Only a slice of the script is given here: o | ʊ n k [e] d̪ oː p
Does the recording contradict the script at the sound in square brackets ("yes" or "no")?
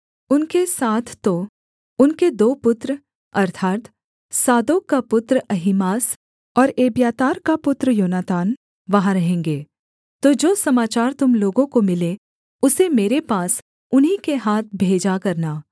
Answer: no